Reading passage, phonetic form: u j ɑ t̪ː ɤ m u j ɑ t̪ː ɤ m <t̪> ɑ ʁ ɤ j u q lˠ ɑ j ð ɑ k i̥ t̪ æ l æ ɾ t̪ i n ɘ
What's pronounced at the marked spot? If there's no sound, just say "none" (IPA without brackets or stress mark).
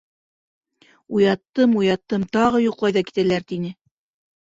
t̪